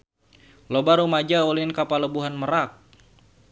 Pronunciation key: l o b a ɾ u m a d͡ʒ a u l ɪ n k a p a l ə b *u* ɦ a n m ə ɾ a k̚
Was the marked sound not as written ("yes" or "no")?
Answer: no